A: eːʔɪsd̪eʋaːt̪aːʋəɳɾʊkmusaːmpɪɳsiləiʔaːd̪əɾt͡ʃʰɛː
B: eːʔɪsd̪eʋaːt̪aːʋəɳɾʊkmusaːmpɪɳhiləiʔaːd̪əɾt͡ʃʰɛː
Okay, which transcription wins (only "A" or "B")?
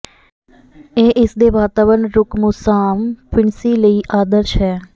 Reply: A